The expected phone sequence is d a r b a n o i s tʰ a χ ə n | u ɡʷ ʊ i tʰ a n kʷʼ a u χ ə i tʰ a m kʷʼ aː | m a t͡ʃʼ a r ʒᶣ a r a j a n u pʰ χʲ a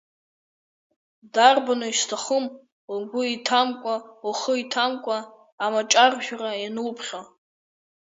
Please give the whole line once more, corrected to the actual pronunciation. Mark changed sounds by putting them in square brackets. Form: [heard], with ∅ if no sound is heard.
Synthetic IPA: d a r b a n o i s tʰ a χ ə [m] | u ɡʷ ʊ i tʰ a [m] kʷʼ a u χ ə i tʰ a m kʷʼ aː | m a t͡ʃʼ a r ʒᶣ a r a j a n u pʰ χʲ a